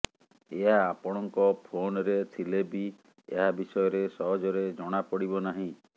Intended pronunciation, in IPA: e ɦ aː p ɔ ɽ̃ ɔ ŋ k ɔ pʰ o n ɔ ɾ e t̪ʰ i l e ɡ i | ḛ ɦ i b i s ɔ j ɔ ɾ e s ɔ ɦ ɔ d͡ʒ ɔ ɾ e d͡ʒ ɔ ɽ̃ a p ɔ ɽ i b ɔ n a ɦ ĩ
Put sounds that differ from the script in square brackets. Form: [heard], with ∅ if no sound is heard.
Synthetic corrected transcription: e ɦ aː p ɔ ɽ̃ ɔ ŋ k ɔ pʰ o n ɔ ɾ e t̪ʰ i l e [b] i | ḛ ɦ [a] b i s ɔ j ɔ ɾ e s ɔ ɦ ɔ d͡ʒ ɔ ɾ e d͡ʒ ɔ ɽ̃ a p ɔ ɽ i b ɔ n a ɦ ĩ